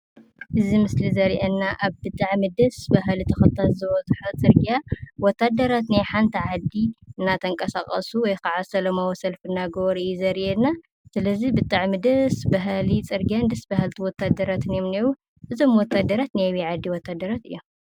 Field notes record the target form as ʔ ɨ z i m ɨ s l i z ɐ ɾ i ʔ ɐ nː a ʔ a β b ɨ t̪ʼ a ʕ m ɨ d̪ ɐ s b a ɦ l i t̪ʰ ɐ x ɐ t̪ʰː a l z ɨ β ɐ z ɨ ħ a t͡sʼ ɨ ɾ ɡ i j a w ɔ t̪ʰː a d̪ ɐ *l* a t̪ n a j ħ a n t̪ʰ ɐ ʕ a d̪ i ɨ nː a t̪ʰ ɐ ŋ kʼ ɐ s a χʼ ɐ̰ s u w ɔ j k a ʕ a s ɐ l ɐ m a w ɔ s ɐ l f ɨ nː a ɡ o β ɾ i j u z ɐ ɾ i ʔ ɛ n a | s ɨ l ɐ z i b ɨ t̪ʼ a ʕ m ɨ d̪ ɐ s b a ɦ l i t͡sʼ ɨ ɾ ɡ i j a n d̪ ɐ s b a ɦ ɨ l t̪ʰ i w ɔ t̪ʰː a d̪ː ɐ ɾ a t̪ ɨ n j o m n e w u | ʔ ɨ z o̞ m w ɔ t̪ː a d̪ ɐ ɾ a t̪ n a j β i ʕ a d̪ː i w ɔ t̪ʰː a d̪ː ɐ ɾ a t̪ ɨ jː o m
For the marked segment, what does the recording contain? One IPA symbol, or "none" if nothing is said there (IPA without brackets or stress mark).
ɾ